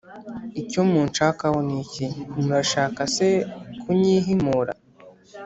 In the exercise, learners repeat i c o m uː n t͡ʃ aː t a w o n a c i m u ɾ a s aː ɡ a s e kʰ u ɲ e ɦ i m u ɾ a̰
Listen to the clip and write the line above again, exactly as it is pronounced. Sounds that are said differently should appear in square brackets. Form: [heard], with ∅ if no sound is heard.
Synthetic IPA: i c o m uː n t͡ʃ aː [k] a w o n [i] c i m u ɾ a [ʃ] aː [k] a s e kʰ u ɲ [i] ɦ i m u ɾ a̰